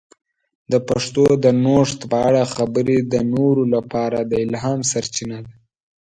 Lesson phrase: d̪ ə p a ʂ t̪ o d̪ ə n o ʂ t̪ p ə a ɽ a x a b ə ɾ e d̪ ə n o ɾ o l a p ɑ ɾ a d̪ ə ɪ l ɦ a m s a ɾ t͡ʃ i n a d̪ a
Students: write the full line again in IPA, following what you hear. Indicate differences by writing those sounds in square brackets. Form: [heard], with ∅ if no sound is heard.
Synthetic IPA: d̪ ə p a ʂ t̪ o d̪ ə n o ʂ t̪ p ə a ɽ a x a b ə ɾ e d̪ ə n o ɾ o l a p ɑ ɾ a d̪ ə ɪ l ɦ [ɑ] m s a ɾ t͡ʃ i n a d̪ a